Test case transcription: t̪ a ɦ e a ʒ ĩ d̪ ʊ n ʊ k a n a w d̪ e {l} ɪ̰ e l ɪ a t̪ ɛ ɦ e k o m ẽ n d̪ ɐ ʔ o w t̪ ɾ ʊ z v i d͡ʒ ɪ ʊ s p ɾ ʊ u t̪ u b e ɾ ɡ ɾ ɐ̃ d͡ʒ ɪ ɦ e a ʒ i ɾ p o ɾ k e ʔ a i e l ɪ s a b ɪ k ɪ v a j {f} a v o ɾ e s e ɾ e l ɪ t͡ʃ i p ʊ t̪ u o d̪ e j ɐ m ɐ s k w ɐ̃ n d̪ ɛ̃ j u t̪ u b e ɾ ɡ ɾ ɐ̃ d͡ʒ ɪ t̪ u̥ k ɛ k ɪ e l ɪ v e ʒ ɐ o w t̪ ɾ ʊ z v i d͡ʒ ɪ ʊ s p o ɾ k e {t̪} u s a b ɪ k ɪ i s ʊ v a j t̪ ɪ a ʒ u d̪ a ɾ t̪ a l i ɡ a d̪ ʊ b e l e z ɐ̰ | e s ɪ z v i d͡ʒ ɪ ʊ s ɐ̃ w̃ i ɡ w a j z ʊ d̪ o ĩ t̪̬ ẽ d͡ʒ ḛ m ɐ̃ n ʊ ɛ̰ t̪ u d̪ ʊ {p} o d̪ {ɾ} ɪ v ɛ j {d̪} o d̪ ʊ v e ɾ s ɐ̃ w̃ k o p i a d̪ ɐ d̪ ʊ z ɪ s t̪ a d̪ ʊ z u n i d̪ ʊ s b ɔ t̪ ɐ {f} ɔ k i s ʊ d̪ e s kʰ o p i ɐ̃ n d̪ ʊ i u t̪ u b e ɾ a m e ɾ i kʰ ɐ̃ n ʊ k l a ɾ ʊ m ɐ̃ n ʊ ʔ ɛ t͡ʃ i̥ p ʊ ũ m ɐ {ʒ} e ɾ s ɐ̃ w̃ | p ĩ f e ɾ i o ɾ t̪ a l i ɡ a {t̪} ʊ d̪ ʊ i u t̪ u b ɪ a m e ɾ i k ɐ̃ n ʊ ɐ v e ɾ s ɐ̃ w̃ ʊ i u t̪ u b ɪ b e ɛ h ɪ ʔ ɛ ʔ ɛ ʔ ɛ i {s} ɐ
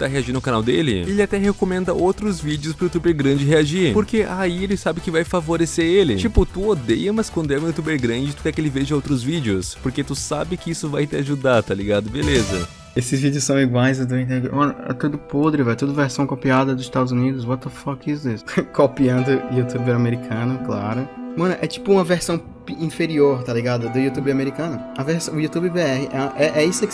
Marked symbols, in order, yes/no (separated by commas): yes, yes, yes, yes, yes, no, yes, no, no, yes